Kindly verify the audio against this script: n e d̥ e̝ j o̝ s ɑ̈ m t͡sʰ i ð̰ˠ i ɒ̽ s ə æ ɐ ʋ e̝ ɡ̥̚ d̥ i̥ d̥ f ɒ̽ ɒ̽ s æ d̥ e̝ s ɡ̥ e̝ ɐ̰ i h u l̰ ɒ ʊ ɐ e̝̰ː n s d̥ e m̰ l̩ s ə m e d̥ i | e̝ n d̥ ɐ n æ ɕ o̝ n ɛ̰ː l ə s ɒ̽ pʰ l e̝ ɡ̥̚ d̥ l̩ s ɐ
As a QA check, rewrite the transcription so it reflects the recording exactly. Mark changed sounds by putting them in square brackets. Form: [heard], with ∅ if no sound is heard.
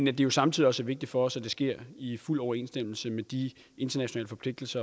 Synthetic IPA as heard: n [æ] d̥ e̝ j o̝ s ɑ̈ m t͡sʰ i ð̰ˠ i ɒ̽ s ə æ ɐ ʋ e̝ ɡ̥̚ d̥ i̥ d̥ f ɒ̽ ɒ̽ s æ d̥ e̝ s ɡ̥ e̝ ɐ̰ i [f] u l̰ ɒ ʊ ɐ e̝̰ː n s d̥ e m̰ l̩ s ə m e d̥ i | e̝ n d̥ ɐ n æ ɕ o̝ n ɛ̰ː l ə [f] ɒ̽ pʰ l e̝ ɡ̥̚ d̥ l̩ s ɐ